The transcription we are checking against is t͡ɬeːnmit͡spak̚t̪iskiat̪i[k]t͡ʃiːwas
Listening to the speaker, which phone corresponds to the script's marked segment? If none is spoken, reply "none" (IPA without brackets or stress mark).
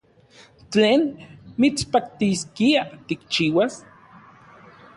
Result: k